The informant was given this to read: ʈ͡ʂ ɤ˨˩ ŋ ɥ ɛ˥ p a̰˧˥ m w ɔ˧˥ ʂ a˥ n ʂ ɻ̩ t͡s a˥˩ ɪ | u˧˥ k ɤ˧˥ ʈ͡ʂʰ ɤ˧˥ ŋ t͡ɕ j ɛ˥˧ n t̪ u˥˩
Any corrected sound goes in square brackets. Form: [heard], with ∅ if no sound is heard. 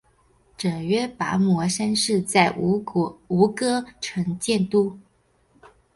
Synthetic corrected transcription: ʈ͡ʂ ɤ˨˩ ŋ ɥ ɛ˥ p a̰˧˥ m w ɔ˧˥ ʂ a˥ n ʂ ɻ̩ t͡s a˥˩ ɪ | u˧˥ k [ɤ˥] ʈ͡ʂʰ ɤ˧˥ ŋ t͡ɕ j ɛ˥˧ n t̪ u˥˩